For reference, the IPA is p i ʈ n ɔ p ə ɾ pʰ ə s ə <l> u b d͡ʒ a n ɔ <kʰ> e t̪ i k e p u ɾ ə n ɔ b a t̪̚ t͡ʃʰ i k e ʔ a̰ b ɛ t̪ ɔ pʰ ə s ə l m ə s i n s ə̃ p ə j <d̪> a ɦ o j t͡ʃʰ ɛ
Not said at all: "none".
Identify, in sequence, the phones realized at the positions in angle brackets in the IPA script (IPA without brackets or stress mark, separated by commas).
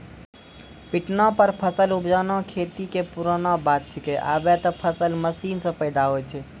l, kʰ, d̪